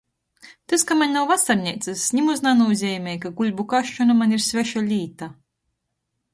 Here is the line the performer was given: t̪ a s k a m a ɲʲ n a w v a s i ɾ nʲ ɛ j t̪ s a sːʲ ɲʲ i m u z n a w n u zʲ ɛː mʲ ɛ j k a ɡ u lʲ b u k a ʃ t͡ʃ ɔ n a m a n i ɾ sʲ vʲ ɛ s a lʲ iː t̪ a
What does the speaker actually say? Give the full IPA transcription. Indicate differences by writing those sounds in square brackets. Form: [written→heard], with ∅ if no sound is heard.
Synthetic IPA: t̪ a s k a m a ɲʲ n a w v a s [i→a] ɾ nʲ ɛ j t̪ s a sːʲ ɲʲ i m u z n a [w→∅] n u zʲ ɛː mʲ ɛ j k a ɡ u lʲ b u k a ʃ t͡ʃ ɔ n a m a n i ɾ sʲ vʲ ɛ [s→ʃ] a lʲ iː t̪ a